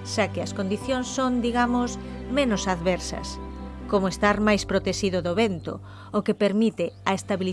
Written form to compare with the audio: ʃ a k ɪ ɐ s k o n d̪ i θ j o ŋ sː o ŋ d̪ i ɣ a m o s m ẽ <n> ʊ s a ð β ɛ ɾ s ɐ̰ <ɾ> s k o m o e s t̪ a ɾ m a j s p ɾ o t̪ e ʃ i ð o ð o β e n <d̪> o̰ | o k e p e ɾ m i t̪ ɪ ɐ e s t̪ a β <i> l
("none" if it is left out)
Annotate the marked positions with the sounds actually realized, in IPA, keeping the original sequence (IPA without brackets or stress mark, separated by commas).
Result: n, none, t̪, i